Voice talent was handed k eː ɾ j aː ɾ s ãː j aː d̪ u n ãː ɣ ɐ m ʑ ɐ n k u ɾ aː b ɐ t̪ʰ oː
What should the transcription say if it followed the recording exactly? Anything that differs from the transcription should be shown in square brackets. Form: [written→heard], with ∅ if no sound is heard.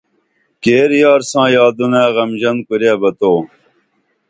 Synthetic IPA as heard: k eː ɾ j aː ɾ s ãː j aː d̪ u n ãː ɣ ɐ m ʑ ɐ n k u ɾ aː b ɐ [t̪ʰ→t̪] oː